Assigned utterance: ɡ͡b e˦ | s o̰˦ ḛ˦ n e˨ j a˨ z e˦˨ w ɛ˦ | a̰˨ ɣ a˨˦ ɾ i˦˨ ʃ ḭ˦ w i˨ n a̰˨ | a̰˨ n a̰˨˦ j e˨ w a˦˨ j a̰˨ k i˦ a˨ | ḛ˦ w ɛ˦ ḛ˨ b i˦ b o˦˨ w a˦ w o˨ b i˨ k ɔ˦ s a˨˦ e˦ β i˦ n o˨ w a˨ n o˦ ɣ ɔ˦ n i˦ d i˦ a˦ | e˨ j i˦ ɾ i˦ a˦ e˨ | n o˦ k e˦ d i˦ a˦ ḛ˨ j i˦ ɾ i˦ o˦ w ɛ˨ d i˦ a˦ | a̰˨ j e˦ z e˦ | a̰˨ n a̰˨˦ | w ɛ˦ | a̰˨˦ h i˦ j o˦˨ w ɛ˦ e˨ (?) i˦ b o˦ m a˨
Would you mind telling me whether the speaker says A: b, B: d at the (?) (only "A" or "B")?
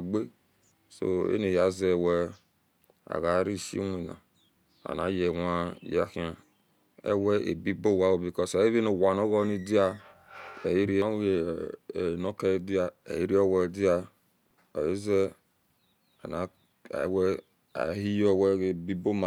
A